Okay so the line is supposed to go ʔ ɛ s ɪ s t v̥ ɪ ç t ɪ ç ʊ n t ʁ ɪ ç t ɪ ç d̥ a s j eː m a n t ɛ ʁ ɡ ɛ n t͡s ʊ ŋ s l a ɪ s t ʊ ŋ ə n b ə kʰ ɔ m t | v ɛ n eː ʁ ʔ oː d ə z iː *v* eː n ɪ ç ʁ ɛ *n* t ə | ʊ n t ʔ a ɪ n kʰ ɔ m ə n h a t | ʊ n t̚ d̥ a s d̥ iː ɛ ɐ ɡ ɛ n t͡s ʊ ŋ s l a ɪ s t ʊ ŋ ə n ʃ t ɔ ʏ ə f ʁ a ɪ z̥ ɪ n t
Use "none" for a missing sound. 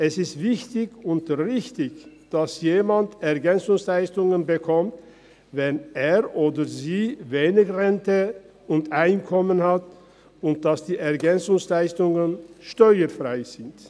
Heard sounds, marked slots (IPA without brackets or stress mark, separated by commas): v, n